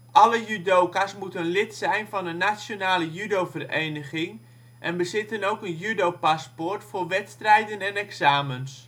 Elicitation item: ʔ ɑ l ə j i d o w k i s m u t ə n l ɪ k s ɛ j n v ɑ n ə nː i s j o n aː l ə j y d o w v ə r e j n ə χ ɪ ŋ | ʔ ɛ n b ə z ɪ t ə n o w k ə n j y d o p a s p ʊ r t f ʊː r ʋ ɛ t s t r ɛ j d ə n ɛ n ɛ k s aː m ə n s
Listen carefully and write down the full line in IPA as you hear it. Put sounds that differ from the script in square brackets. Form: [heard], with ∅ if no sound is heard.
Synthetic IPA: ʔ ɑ l ə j [y] d o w k [a] s m u t ə n l ɪ [t] s ɛ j n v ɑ n ə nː [a] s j o n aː l ə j y d o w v ə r e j n ə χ ɪ ŋ | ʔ ɛ n b ə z ɪ t ə n o w k ə n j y d o p a s p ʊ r t f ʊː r ʋ ɛ t s t r ɛ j d ə n ɛ n ɛ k s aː m ə n s